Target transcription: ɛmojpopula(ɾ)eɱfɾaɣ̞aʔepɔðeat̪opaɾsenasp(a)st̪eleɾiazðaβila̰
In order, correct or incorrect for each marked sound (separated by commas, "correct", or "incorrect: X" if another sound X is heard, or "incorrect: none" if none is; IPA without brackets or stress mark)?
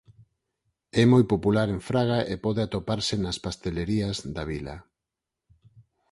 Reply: correct, correct